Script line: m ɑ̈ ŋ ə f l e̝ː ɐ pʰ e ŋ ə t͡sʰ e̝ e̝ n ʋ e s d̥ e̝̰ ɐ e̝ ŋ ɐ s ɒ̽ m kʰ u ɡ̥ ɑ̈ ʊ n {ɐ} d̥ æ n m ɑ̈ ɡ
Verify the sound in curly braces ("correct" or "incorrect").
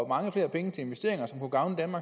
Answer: incorrect